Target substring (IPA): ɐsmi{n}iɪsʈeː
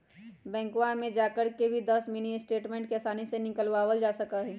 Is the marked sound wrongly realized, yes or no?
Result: no